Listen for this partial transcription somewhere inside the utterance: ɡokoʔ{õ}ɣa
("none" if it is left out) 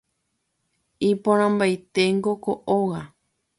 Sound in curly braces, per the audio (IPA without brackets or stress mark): o